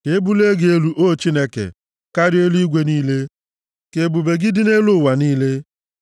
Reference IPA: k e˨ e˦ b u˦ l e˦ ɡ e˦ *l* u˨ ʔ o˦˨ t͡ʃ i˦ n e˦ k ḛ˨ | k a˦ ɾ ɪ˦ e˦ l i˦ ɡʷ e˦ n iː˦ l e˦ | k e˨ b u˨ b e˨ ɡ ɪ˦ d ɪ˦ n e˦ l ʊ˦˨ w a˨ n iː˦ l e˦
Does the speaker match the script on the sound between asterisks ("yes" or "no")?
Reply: yes